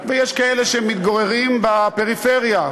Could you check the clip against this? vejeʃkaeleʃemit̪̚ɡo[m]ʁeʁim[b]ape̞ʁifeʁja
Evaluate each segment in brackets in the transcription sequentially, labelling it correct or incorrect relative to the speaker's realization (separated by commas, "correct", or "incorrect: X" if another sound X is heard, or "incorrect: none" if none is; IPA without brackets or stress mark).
incorrect: none, correct